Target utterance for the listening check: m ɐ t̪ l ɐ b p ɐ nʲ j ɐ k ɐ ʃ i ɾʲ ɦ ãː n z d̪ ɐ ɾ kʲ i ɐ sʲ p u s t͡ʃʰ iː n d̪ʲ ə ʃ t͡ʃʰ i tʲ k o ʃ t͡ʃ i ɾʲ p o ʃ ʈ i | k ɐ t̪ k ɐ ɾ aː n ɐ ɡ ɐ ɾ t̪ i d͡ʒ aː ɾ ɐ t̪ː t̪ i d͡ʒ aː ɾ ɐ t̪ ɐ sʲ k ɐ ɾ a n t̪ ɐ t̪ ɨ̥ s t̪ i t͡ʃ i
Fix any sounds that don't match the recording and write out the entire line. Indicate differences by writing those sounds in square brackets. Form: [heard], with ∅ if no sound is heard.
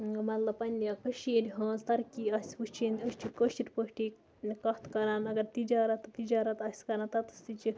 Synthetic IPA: m ɐ t̪ l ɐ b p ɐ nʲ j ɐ k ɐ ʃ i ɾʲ ɦ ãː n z [t̪] ɐ ɾ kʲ i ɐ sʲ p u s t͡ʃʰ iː n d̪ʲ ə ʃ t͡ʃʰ i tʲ k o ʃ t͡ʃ i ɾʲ p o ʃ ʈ i | k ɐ t̪ k ɐ ɾ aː n ɐ ɡ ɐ ɾ t̪ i d͡ʒ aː ɾ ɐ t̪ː t̪ i d͡ʒ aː ɾ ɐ t̪ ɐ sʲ k ɐ ɾ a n t̪ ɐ t̪ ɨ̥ s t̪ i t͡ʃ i